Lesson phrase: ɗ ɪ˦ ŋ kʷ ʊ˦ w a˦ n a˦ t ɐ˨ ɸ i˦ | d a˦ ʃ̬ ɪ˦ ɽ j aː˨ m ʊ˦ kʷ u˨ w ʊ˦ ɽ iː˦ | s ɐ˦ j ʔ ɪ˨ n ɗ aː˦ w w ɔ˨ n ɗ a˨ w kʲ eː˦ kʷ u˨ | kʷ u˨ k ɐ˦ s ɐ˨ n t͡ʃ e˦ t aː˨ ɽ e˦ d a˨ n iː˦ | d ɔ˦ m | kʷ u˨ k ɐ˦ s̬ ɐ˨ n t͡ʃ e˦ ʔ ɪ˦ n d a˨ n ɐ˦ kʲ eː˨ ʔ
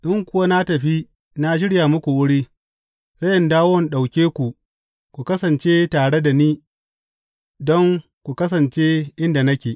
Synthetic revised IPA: ɗ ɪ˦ ŋ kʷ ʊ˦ w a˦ n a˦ t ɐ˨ ɸ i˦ | n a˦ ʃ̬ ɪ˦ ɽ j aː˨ m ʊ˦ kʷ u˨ w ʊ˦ ɽ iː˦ | s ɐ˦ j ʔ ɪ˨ n d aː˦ w w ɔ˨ n ɗ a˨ w kʲ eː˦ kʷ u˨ | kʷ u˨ k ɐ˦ s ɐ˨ n t͡ʃ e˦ t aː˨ ɽ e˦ d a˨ n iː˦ | d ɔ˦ ŋ | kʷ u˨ k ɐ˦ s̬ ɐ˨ n t͡ʃ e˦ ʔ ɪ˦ n d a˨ n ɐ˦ kʲ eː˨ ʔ